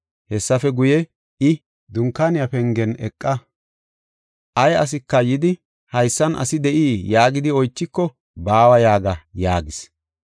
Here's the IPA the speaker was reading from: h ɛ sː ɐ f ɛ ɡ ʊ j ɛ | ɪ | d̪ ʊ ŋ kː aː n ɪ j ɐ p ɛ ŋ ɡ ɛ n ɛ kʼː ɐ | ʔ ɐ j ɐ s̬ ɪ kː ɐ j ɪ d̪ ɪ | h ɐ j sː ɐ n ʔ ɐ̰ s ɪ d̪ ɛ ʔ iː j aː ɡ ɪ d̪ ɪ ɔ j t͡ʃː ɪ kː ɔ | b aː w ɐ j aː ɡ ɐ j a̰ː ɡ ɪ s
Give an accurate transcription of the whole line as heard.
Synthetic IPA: h ɛ sː ɐ f ɛ ɡ ʊ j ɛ | ɪ | d̪ ʊ ŋ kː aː n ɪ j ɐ p ɛ ŋ ɡ ɛ n ɛ kʼː ɐ | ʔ ɐ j ɐ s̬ ɪ kː ɐ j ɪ d̪ ɪ | h ɐ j sː ɐ n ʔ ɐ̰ s ɪ d̪ ɛ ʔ iː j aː ɡ ɪ d̪ ɪ ɔ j t͡ʃː ɪ kː ɔ | b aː w ɐ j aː ɡ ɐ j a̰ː ɡ ɪ s